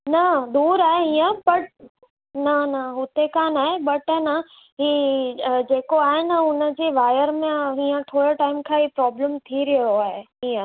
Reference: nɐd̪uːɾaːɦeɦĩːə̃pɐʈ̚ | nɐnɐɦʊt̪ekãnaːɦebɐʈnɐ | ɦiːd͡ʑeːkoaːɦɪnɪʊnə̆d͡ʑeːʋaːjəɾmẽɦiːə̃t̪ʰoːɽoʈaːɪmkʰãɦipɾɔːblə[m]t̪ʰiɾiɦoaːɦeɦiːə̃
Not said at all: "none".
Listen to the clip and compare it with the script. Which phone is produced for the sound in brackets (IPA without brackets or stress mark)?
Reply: m